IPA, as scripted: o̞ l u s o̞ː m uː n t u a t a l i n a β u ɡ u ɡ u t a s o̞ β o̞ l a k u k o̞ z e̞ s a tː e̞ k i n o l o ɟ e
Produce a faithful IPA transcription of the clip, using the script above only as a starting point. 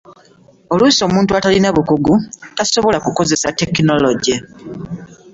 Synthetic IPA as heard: o̞ l u s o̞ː m uː n t u a t a l i n a β u k u ɡ u t a s o̞ β o̞ l a k u k o̞ z e̞ s a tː e̞ k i n o l o ɟ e